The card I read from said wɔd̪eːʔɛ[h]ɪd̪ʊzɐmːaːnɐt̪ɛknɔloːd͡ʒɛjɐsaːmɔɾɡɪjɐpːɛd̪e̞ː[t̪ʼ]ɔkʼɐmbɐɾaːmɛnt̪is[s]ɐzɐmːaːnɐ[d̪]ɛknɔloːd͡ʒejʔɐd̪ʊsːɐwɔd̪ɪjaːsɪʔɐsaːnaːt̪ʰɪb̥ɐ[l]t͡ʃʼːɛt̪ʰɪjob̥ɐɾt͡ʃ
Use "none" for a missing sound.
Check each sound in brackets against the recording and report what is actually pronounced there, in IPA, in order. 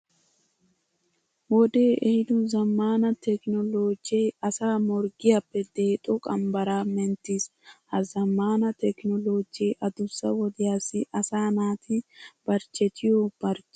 h, t̪ʼ, h, t̪, ɾ

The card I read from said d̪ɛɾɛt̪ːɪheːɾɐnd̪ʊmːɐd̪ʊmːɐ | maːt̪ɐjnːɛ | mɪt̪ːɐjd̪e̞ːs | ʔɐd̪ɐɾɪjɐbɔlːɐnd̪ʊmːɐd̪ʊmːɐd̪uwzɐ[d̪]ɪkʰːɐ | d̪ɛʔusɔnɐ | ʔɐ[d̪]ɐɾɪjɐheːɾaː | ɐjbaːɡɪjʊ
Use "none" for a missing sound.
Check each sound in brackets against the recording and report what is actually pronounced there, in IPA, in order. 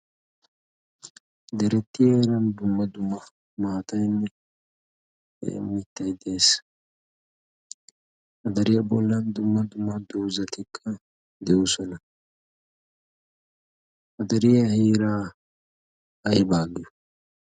t̪, d̪

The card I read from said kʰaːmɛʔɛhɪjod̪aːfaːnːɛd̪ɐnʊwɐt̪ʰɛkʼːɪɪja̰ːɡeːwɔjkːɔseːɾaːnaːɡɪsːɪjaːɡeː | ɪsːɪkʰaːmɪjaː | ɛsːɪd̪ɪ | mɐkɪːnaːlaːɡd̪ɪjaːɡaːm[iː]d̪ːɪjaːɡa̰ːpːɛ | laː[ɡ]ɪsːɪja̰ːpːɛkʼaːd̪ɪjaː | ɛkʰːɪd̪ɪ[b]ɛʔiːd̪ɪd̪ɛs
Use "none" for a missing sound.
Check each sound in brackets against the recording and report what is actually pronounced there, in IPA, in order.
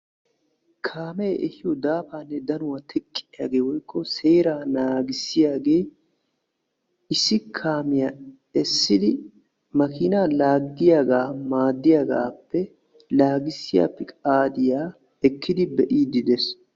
aː, ɡ, b

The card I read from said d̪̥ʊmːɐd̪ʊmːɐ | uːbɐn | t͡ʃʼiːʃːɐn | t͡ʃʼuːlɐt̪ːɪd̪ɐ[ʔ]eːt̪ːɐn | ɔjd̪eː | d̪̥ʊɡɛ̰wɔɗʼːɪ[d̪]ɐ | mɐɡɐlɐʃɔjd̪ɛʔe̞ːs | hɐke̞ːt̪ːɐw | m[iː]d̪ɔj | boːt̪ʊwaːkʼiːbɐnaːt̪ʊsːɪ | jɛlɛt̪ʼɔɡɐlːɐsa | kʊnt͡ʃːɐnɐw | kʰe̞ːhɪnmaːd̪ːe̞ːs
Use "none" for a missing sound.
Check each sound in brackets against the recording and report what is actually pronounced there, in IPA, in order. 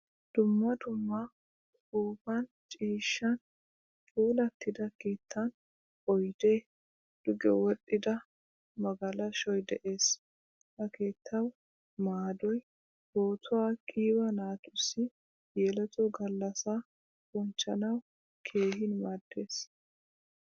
k, d̪, aː

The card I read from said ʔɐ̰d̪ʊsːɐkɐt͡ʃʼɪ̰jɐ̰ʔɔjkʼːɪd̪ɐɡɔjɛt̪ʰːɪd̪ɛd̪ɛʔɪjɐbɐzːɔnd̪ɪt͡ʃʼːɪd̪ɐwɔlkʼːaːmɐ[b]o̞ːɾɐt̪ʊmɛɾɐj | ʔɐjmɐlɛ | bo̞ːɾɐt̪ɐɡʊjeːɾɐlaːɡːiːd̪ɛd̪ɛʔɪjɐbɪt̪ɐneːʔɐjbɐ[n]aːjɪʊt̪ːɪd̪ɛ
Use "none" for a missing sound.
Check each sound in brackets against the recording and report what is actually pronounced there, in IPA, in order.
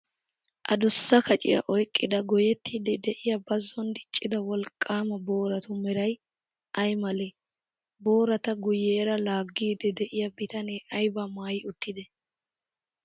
b, m

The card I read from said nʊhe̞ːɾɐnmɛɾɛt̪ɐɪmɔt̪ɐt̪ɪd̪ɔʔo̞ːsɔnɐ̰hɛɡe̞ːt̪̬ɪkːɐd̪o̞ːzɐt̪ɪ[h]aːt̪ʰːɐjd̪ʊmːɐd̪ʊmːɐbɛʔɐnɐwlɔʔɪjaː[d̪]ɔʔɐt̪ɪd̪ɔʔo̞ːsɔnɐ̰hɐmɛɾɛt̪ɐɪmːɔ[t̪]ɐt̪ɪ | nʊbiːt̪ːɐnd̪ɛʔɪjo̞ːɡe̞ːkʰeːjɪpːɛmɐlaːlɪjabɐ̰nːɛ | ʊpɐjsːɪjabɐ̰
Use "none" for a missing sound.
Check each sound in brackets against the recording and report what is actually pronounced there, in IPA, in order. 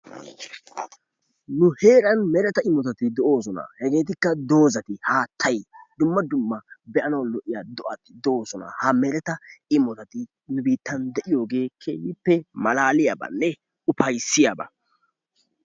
h, d̪, t̪

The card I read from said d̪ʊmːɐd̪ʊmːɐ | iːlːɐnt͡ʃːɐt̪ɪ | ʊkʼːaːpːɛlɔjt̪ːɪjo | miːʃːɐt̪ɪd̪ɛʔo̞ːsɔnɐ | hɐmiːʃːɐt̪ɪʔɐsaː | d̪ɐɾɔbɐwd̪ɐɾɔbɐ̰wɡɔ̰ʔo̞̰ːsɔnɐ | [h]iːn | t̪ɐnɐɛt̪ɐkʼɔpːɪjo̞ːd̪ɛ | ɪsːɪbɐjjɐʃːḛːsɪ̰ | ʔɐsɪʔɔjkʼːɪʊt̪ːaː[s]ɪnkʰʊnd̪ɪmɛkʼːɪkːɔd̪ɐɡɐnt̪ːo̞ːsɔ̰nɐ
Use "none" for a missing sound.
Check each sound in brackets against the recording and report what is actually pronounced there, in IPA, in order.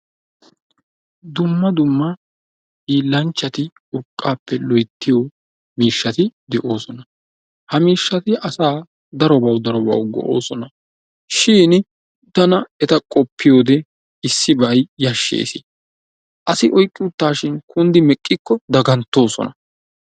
ʃ, ʃ

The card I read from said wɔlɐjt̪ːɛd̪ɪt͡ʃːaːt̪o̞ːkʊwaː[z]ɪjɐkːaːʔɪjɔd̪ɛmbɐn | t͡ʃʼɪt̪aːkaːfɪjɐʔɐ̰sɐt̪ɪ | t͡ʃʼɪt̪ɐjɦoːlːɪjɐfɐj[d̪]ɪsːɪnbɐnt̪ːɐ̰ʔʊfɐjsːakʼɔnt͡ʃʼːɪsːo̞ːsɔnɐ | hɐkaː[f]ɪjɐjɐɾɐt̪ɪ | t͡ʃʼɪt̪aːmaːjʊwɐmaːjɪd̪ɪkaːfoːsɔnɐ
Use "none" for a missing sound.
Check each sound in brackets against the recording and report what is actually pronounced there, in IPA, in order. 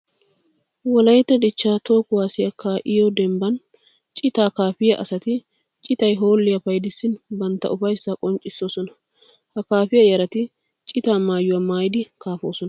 s, d̪, f

